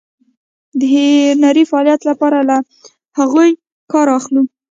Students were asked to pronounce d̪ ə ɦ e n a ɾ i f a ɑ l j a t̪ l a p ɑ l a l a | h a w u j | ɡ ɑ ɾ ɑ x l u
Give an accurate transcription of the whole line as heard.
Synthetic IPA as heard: d̪ ə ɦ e n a ɾ i f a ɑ l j a t̪ l a p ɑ ɾ a l a | h a ɣ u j | k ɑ ɾ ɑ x l u